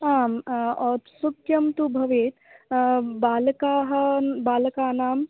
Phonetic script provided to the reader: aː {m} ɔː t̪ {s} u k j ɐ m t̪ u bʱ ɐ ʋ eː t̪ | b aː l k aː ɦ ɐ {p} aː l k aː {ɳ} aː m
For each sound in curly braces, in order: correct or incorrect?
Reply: correct, correct, incorrect: b, incorrect: n

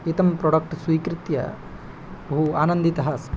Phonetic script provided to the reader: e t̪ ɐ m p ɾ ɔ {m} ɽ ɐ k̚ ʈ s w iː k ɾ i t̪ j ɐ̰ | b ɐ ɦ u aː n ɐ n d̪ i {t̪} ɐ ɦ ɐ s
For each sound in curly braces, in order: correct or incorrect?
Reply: incorrect: none, correct

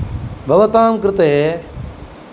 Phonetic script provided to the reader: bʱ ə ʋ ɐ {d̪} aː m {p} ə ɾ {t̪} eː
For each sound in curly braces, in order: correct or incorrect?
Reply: incorrect: t̪, incorrect: k, correct

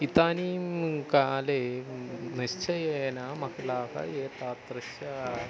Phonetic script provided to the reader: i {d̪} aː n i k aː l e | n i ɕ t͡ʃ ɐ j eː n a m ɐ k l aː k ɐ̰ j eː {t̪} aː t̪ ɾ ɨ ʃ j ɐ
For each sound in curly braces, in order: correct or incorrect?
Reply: incorrect: t̪, correct

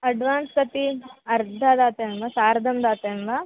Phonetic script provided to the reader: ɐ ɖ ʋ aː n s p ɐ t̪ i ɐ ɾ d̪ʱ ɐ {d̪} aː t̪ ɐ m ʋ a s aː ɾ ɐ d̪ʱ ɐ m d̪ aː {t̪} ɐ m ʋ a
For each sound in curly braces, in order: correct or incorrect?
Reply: correct, correct

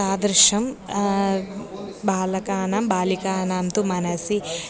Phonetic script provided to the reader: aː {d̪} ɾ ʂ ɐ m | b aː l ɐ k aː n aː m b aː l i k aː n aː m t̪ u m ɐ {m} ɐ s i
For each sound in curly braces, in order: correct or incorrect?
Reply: correct, incorrect: n

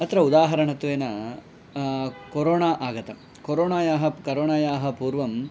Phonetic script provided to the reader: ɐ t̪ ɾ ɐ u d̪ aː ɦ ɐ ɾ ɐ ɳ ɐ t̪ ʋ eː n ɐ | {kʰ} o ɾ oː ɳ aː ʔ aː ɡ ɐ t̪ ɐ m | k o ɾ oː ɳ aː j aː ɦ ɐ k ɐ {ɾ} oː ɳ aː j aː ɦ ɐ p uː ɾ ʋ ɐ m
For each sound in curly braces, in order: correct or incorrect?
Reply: incorrect: k, correct

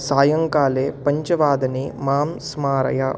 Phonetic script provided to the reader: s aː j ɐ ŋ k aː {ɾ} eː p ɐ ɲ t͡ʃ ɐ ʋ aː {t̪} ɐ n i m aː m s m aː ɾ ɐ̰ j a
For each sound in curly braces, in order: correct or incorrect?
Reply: incorrect: l, incorrect: d̪

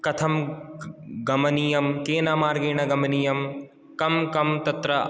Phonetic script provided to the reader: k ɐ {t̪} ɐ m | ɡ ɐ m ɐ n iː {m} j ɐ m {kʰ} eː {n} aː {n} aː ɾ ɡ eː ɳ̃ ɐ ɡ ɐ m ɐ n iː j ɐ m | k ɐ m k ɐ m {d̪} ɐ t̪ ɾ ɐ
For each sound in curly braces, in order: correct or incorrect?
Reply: incorrect: t̪ʰ, incorrect: none, incorrect: k, correct, incorrect: m, incorrect: t̪

